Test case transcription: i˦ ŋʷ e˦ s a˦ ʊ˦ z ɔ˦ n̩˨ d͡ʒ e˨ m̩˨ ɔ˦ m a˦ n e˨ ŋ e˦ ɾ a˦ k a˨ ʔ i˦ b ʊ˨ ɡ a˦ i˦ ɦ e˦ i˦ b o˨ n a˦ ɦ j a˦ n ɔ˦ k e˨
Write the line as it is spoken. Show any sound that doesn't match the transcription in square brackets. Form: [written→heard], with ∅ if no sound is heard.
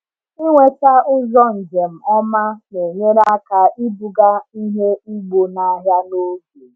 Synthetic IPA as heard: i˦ ŋʷ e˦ [s→t] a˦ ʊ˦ z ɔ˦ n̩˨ d͡ʒ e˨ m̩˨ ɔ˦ m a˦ n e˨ [ŋ→ɲ] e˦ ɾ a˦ k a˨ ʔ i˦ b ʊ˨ ɡ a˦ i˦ ɦ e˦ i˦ [b→ɡ͡b] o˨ n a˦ ɦ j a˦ n [ɔ˦→o˦] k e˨